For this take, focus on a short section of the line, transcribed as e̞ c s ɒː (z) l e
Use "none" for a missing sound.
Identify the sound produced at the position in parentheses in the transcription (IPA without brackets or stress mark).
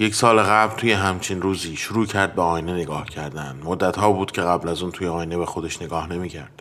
none